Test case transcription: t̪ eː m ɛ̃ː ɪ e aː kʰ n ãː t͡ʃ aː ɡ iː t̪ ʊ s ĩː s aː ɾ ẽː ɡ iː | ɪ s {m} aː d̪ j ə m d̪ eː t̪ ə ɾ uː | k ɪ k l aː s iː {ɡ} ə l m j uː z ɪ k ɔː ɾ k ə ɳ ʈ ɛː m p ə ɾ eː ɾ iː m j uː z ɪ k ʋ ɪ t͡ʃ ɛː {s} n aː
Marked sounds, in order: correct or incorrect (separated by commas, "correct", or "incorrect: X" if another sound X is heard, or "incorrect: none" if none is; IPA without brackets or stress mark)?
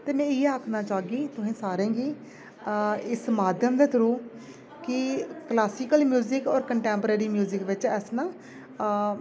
correct, incorrect: k, correct